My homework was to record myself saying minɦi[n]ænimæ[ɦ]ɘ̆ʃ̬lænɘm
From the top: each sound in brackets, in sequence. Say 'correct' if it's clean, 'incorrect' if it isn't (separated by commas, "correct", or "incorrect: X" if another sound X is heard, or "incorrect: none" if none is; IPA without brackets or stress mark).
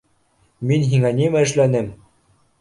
incorrect: ŋ, incorrect: none